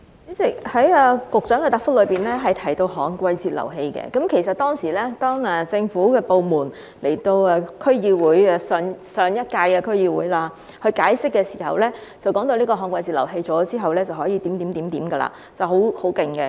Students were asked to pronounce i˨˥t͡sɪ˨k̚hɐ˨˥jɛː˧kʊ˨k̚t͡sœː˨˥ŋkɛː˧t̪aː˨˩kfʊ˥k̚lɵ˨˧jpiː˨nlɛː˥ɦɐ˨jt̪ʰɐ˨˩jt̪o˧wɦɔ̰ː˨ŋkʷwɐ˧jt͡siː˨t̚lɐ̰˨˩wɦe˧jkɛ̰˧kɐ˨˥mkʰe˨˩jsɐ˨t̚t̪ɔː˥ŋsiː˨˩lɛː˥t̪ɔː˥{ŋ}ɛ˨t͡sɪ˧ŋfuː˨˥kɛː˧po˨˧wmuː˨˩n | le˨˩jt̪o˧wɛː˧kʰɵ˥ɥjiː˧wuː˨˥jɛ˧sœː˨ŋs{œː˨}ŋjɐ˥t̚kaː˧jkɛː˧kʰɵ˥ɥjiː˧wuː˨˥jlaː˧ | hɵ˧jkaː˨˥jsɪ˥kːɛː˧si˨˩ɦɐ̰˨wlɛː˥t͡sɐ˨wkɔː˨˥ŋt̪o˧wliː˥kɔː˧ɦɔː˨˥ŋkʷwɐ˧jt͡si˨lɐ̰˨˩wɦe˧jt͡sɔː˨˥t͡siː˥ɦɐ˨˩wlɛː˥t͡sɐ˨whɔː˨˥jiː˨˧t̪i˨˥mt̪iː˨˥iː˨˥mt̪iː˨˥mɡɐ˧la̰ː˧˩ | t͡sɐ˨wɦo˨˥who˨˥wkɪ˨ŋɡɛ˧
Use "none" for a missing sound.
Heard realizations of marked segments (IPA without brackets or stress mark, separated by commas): ŋ, œː˨